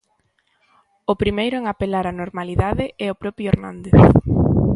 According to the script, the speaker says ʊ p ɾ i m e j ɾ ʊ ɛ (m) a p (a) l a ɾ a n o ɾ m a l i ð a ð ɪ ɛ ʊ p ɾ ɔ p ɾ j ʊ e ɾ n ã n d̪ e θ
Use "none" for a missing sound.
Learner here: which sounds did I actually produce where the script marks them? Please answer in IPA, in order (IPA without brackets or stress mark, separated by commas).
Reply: ŋ, e